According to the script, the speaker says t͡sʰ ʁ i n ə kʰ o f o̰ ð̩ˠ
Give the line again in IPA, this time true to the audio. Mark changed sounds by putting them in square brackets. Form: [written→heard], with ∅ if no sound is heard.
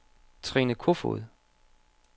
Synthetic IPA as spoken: t͡sʰ ʁ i n ə kʰ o f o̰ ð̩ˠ